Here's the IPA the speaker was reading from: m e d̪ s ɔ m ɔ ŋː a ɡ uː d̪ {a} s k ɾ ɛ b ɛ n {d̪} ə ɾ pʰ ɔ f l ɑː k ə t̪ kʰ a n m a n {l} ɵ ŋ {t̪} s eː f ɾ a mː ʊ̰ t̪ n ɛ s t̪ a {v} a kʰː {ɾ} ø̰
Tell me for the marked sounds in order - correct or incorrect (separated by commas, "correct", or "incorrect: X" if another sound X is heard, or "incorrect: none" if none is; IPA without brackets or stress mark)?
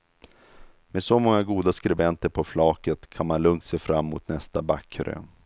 correct, incorrect: t̪, correct, correct, incorrect: b, correct